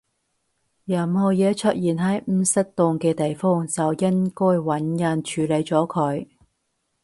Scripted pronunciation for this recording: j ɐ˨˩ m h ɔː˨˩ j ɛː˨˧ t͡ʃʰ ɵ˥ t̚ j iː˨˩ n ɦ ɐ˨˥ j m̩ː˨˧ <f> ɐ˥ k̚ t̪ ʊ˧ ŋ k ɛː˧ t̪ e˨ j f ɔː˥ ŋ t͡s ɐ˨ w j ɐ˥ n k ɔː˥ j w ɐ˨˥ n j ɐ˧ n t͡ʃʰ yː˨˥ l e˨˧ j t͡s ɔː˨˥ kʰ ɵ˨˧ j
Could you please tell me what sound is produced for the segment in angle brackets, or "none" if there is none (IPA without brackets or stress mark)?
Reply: s